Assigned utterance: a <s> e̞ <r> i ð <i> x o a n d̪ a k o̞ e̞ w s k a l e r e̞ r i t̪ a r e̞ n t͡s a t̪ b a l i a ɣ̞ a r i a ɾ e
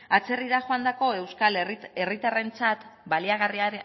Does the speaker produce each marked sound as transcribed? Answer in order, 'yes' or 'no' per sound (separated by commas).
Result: no, yes, no